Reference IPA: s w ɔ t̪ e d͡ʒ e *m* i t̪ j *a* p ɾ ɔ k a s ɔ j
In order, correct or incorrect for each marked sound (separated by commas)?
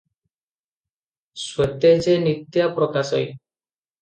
incorrect, correct